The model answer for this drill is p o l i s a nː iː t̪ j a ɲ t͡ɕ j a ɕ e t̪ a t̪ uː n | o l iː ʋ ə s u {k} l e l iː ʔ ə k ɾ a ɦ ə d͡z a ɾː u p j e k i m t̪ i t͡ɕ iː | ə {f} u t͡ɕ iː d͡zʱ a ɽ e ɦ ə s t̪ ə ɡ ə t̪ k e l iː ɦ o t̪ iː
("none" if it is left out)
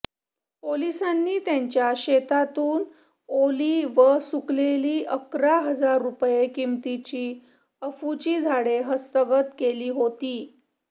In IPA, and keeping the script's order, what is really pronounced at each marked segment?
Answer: k, f

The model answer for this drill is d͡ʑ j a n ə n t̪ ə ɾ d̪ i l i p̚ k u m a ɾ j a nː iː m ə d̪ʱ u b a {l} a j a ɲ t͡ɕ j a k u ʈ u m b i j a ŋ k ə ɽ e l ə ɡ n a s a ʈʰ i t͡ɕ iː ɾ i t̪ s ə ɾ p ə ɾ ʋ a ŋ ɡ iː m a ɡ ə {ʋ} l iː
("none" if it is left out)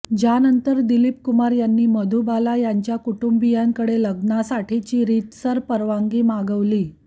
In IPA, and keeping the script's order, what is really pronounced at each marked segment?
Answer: l, ʋ

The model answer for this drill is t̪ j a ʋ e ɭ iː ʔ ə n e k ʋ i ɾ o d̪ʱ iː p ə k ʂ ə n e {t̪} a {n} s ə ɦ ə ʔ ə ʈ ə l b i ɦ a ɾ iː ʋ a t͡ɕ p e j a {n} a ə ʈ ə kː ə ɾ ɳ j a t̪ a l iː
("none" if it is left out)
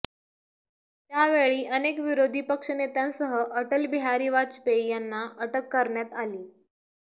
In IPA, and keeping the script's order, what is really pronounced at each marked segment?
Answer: t̪, n, nː

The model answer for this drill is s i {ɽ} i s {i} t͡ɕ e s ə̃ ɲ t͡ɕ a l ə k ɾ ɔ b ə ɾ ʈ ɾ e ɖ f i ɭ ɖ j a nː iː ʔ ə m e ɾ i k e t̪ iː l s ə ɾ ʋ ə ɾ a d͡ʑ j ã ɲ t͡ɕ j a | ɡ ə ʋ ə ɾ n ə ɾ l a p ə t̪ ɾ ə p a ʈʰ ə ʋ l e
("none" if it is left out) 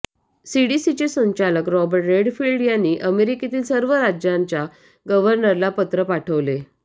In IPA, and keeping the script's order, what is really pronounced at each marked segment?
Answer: ɽ, i

